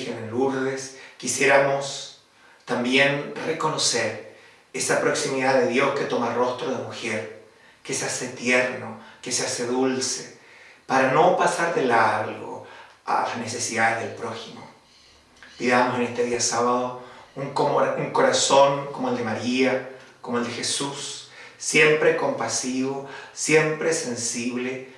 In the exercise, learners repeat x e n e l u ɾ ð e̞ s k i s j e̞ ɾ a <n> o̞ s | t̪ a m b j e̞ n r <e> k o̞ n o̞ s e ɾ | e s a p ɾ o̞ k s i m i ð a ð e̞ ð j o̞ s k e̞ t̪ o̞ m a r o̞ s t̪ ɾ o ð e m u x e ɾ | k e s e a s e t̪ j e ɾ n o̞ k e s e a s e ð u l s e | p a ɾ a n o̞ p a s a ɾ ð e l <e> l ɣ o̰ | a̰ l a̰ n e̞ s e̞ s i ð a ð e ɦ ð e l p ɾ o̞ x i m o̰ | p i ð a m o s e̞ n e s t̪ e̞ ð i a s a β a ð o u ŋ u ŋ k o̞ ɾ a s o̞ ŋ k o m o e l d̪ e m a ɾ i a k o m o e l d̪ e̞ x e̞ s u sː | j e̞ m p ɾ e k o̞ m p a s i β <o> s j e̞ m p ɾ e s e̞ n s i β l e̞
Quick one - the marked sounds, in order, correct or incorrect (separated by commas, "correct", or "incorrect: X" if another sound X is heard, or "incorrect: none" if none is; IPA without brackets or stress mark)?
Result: incorrect: m, correct, incorrect: a, correct